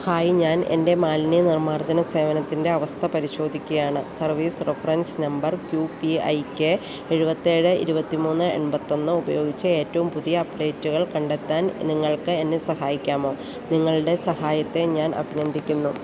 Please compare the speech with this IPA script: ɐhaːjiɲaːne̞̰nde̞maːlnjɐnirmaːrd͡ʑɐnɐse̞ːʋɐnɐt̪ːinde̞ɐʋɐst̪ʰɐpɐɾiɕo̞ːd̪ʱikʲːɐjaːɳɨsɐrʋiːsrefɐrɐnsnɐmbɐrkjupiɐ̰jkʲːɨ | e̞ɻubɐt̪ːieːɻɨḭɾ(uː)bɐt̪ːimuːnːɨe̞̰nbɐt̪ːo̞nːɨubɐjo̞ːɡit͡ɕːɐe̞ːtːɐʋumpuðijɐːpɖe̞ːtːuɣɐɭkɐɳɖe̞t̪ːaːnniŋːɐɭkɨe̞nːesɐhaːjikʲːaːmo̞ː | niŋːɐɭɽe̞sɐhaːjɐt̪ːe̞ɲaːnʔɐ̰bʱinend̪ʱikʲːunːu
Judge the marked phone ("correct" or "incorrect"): incorrect